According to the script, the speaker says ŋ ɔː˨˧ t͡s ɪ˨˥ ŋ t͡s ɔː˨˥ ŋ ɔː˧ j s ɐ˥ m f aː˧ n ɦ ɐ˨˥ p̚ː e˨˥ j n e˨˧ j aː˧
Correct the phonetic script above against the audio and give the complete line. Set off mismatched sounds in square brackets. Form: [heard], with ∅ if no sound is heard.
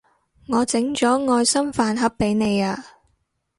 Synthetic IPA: ŋ ɔː˨˧ t͡s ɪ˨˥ ŋ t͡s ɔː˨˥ ŋ ɔː˧ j s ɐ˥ m f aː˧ n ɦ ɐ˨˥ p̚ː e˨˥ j n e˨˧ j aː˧